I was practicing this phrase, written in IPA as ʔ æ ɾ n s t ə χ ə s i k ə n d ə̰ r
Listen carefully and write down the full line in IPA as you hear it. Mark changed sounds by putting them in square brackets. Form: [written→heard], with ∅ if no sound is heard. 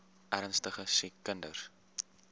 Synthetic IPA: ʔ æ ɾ n s t ə χ ə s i k ə n d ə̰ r